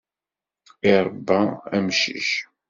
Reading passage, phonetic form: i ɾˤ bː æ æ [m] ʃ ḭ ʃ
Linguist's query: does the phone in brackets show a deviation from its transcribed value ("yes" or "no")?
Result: no